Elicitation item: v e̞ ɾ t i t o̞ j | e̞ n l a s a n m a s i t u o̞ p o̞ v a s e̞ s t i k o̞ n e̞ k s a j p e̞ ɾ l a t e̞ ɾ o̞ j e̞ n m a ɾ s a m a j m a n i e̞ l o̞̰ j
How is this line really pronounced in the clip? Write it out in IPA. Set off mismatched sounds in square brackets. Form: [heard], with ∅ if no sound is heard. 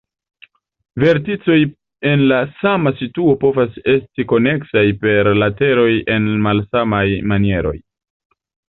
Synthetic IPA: v e̞ ɾ t i [t͡s] o̞ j | e̞ n l a s a [∅] m a s i t u o̞ p o̞ v a s e̞ s t i k o̞ n e̞ k s a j p e̞ ɾ l a t e̞ ɾ o̞ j e̞ n m a [l] s a m a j m a n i e̞ [ɾ] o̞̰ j